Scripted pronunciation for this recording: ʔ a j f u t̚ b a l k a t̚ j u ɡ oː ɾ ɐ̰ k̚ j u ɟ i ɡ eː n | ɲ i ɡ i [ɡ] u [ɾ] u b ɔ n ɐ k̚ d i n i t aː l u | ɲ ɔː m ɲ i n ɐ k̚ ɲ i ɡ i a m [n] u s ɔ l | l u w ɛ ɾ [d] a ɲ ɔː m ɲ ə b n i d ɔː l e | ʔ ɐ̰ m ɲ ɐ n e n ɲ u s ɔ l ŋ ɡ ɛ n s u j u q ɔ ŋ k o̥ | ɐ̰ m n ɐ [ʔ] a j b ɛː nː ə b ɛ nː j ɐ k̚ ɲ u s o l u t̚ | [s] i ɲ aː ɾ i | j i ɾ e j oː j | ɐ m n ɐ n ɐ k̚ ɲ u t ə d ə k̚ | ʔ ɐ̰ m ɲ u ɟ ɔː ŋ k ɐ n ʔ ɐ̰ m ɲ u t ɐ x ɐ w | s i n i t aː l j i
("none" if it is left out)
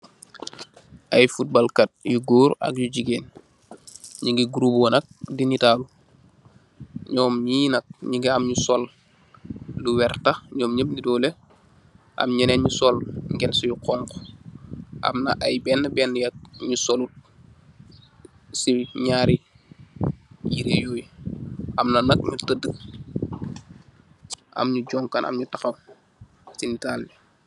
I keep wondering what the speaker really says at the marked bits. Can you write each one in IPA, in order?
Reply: ɡ, ɾ, ɲ, t, ʔ, s

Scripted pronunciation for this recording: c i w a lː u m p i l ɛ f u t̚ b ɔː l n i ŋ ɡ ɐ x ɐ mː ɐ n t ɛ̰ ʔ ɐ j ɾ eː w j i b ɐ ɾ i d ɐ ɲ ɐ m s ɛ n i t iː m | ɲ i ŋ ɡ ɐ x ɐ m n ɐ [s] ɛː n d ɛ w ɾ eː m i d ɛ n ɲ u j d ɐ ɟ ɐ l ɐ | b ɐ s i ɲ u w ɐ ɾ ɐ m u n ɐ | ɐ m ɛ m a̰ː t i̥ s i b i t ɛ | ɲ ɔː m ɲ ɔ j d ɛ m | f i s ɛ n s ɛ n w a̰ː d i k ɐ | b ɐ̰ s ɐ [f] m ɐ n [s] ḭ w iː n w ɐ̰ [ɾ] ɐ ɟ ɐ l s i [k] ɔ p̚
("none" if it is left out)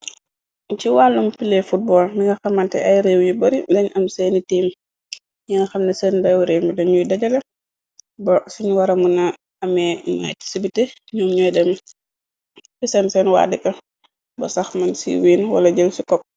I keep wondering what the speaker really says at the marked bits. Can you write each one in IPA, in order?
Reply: s, x, s, l, k

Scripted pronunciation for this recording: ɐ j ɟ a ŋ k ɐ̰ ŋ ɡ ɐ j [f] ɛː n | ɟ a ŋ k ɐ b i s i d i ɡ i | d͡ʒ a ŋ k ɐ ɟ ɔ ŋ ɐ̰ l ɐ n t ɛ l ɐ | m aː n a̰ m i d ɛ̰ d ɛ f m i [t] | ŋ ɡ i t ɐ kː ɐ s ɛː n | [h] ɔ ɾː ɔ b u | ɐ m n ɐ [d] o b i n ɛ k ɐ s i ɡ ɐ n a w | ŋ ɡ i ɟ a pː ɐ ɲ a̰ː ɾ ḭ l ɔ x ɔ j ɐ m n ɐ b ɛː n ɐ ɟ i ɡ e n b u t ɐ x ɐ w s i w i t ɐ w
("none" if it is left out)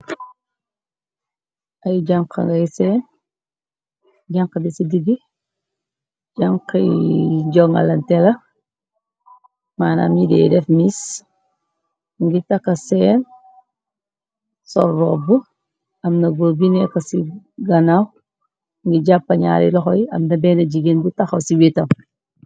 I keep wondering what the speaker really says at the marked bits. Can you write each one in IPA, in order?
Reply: s, s, s, ɡ

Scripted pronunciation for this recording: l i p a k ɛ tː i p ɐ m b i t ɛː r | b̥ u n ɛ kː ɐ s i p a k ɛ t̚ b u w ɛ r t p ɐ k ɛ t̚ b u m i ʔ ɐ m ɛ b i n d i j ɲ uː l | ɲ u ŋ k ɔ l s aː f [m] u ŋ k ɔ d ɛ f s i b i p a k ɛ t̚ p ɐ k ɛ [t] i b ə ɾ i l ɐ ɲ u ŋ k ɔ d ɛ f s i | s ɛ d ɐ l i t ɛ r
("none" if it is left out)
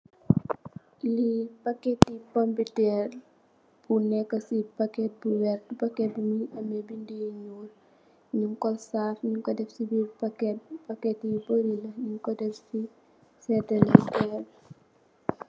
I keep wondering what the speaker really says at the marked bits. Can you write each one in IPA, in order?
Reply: ɲ, t

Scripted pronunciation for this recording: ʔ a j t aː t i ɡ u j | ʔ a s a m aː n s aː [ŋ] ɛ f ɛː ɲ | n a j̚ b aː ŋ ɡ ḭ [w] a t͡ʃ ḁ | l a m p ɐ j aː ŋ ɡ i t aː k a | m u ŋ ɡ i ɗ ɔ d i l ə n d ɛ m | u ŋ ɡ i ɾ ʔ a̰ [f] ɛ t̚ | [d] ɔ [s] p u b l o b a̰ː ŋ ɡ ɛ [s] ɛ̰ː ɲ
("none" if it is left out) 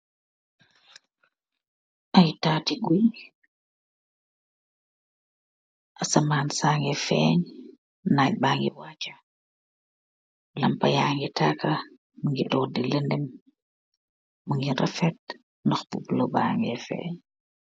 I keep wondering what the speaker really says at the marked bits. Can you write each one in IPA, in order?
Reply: ŋ, w, f, n, x, f

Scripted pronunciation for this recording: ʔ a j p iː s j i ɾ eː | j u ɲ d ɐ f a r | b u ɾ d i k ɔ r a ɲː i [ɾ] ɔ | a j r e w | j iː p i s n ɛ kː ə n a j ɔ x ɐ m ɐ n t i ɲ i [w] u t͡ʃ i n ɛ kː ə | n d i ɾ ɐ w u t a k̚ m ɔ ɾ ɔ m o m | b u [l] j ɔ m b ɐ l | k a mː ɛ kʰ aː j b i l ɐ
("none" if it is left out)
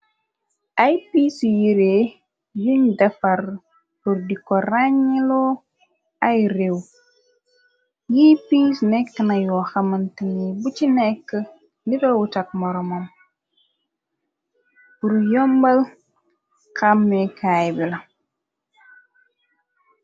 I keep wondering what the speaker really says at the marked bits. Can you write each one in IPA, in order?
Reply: l, b, ɾ

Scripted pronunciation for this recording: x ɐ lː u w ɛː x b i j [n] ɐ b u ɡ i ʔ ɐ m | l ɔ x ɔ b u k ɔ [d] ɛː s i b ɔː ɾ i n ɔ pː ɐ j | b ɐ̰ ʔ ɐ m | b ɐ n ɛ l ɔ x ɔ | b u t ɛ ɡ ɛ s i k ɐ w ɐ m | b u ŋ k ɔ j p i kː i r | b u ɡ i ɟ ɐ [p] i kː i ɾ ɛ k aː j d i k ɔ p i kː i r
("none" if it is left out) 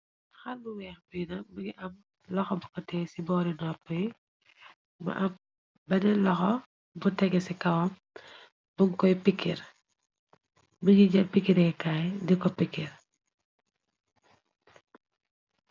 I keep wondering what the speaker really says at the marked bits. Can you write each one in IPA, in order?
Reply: n, t, p

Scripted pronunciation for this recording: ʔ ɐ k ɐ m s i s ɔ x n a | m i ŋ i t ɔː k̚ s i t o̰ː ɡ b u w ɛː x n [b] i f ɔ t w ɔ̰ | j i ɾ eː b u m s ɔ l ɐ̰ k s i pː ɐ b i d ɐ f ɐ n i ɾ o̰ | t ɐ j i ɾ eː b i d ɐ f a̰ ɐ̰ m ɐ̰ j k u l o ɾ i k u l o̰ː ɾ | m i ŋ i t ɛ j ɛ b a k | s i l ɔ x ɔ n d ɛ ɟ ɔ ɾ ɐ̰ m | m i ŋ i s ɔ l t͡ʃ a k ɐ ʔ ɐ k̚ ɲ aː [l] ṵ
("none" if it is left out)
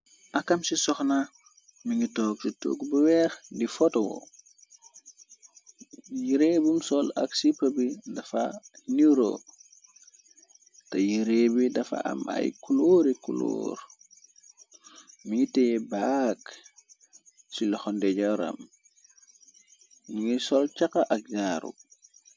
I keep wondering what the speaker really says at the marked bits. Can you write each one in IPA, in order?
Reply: d, ɾ

